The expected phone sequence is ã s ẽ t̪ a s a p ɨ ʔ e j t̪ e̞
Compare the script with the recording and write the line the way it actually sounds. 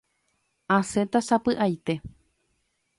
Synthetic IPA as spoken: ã s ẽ t̪ a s a p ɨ ʔ a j t̪ e̞